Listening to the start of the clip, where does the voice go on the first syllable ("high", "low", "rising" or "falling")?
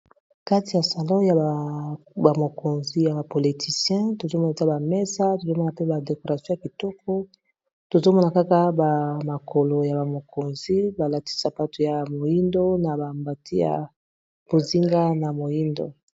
high